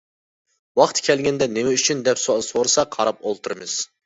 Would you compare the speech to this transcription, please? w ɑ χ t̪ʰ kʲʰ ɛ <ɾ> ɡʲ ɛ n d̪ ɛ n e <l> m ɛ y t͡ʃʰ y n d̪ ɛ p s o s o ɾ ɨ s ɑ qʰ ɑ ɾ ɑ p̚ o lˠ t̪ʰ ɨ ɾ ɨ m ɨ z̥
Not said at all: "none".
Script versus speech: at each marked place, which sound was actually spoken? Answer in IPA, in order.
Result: l, none

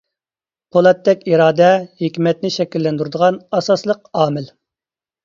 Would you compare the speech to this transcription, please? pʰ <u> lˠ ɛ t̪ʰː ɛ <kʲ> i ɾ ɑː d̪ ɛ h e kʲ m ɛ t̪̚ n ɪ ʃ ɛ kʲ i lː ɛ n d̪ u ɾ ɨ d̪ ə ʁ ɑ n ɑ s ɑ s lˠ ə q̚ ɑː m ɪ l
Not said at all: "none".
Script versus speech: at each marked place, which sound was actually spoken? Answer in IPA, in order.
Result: o, kʲ

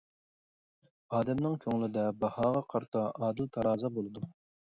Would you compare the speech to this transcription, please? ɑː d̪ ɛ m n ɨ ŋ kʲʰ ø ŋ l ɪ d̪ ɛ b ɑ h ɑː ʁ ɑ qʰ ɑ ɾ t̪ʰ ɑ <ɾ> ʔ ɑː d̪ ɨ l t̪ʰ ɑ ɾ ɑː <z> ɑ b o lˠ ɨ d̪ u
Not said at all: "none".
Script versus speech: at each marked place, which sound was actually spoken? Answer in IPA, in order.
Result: none, z

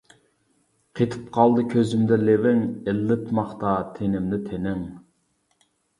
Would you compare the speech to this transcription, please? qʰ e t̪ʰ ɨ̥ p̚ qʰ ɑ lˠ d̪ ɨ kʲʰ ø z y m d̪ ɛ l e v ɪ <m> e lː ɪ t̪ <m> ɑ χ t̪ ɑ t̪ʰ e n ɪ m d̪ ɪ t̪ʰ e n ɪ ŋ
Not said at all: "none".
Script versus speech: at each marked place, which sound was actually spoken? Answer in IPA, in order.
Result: ŋ, m

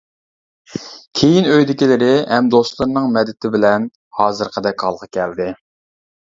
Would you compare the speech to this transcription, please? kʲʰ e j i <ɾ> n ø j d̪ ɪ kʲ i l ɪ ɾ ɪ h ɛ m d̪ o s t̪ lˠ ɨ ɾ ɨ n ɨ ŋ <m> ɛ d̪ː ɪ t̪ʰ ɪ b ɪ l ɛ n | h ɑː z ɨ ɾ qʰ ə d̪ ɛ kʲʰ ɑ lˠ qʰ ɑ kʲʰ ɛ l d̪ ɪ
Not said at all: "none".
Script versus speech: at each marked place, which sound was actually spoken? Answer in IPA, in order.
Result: none, m

